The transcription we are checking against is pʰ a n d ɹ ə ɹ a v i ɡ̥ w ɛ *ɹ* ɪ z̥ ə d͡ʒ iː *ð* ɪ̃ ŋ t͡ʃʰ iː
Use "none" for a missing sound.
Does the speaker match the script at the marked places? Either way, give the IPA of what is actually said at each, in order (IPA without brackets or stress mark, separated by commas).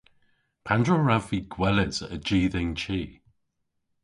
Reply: l, ð